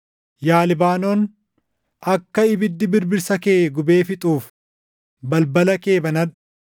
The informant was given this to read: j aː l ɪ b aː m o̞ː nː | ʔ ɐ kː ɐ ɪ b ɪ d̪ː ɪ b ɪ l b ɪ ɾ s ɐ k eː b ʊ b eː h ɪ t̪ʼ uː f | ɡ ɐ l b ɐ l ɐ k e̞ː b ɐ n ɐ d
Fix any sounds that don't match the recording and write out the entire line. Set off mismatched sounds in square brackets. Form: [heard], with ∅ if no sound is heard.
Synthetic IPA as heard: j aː l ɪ b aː [n] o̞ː [n] | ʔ ɐ kː ɐ ɪ b ɪ d̪ː ɪ b ɪ [ɾ] b ɪ ɾ s ɐ k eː [ɡ] ʊ b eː [f] ɪ t̪ʼ uː f | [b] ɐ l b ɐ l ɐ k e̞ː b ɐ n ɐ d